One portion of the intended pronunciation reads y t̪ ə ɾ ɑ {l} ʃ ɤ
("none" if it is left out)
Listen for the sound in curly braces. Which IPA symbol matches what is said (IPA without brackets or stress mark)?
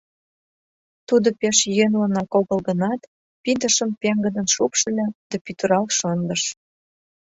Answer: l